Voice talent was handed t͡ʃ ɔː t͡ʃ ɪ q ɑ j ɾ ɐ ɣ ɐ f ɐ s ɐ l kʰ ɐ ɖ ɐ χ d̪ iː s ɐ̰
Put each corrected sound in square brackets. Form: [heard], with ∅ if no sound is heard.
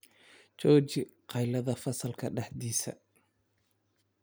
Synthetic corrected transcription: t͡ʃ ɔː t͡ʃ ɪ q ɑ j [l] ɐ [ð] ɐ f ɐ s ɐ l kʰ ɐ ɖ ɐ [ħ] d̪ iː s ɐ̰